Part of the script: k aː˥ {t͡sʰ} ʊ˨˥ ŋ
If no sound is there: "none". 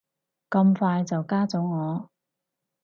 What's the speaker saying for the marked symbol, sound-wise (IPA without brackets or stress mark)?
t͡s